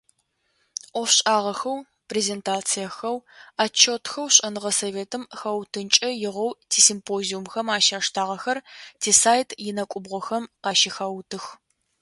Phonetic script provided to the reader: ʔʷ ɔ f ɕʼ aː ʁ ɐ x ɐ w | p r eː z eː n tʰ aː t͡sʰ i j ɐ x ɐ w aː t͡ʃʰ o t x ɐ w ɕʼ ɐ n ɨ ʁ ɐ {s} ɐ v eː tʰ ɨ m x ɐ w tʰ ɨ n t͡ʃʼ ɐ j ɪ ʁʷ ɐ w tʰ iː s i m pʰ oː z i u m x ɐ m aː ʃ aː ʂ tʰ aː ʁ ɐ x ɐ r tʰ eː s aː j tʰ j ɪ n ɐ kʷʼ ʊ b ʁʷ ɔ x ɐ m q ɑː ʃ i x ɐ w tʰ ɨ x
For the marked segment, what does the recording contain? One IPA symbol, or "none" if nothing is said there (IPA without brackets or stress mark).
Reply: s